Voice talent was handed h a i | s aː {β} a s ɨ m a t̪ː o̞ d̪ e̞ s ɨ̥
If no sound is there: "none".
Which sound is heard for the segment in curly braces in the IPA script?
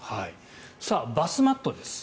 b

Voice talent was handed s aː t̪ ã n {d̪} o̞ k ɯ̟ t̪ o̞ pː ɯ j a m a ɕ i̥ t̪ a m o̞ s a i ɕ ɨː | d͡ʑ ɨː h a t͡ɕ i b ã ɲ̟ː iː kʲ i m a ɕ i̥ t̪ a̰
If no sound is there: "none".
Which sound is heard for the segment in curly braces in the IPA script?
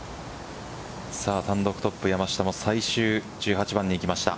d̪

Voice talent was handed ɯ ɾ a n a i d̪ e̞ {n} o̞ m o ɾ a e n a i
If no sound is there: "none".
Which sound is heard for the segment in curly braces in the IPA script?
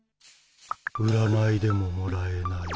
m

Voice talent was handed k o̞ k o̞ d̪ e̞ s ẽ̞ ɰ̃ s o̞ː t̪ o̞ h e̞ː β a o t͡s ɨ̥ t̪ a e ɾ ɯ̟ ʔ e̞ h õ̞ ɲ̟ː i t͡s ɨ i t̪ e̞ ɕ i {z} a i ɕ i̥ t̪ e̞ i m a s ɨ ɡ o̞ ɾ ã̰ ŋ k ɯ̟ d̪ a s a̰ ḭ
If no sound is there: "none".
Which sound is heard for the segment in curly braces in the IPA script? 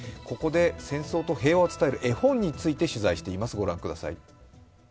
z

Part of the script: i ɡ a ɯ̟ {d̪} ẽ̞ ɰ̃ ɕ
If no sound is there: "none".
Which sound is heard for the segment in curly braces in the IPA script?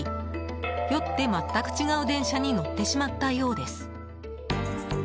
d̪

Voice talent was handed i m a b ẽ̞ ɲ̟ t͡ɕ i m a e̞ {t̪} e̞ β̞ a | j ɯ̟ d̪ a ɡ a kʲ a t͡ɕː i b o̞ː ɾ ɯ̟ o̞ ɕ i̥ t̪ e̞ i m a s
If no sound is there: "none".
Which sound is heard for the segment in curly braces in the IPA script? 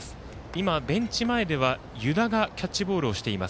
d̪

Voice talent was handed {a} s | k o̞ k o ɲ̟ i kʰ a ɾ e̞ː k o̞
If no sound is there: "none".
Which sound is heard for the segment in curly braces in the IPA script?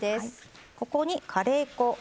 e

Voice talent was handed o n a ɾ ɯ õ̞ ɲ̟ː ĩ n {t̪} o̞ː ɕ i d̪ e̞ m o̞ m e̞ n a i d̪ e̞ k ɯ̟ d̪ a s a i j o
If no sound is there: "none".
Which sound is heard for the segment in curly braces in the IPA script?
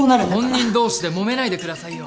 d̪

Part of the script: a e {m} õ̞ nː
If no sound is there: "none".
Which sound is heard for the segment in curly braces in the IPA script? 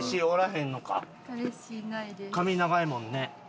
m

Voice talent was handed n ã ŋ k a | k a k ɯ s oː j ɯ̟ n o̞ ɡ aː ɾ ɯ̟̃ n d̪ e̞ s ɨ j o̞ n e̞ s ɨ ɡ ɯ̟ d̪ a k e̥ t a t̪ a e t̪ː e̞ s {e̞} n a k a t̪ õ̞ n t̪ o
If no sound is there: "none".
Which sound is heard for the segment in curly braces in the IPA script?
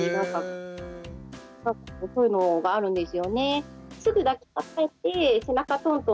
e̞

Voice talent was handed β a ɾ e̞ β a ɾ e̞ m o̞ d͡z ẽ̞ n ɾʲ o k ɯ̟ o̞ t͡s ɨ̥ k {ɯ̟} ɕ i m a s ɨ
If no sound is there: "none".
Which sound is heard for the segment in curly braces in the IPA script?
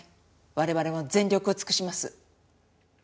ɯ̟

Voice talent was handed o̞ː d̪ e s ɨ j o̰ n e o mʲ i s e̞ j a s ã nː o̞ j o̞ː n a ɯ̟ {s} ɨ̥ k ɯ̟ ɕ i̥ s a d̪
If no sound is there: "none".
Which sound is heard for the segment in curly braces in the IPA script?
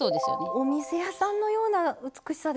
t͡s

